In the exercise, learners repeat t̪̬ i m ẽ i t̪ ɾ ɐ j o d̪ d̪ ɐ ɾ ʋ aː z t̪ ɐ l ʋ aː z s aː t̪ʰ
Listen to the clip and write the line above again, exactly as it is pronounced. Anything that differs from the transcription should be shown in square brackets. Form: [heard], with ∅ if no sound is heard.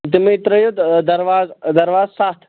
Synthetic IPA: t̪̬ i m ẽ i t̪ ɾ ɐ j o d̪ d̪ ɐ ɾ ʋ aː z [d̪] ɐ [ɾ] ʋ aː z s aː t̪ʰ